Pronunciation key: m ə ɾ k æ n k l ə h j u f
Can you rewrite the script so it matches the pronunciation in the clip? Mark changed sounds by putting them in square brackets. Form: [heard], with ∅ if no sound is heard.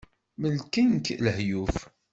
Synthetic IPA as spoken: m ə [l] k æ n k l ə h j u f